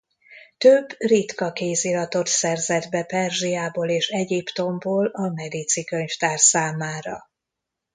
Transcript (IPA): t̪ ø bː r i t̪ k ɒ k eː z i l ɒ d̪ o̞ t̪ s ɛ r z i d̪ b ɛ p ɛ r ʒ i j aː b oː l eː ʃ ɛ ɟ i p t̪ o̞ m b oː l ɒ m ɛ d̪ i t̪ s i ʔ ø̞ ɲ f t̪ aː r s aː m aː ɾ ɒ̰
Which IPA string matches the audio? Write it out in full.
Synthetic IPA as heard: t̪ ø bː r i t̪ k ɒ k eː z i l ɒ t̪ o̞ t̪ s ɛ r z ɛ d̪ b ɛ p ɛ r ʒ i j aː b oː l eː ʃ ɛ ɟ i p t̪ o̞ m b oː l ɒ m ɛ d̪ i t̪ s i k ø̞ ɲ f t̪ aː r s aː m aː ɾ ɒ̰